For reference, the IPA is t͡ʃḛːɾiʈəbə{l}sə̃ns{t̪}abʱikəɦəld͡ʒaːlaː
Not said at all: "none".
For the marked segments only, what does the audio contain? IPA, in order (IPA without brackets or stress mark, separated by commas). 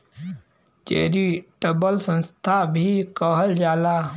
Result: l, t̪ʰ